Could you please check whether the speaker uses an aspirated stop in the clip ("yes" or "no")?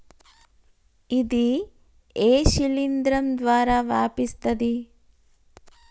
no